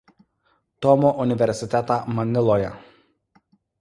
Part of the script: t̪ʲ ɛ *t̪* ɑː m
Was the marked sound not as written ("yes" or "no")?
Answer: no